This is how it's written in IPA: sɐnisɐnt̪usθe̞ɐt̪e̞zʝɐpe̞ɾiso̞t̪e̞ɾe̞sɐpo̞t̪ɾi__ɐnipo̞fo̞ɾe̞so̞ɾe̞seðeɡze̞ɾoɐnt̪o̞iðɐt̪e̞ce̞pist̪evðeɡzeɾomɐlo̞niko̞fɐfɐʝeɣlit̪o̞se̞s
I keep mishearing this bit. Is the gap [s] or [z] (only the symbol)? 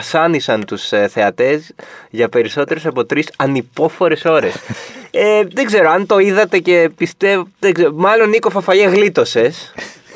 s